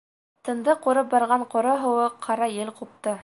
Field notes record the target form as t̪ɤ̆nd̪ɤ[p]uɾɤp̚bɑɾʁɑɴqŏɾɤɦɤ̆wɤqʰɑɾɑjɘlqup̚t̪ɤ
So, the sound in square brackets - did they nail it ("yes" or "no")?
no